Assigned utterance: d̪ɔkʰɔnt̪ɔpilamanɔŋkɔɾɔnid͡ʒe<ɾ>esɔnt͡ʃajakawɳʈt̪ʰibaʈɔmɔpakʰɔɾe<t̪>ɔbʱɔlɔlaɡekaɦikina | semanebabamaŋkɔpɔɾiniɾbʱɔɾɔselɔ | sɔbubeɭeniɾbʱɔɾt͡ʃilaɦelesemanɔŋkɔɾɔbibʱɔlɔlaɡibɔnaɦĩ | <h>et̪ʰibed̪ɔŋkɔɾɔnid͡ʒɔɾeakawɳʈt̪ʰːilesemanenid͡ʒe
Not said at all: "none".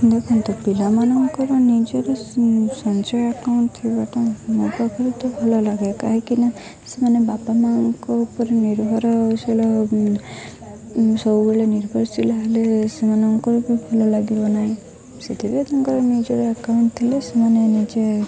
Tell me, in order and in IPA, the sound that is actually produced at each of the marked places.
ɾ, t̪, s

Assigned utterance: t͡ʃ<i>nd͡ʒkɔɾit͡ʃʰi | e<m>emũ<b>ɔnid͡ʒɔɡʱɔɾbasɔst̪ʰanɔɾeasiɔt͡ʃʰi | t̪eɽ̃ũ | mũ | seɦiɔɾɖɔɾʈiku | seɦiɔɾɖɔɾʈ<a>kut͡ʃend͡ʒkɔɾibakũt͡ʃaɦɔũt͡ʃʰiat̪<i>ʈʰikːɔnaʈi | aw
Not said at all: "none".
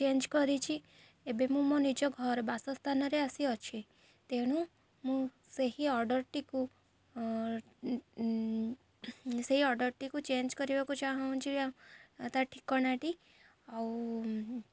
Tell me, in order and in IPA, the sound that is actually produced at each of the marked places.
e, b, m, i, a

